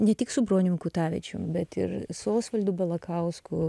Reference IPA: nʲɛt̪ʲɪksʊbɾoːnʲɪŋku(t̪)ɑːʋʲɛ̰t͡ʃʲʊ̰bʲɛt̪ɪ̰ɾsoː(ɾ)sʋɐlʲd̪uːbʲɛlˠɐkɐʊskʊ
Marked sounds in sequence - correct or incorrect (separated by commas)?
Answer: correct, incorrect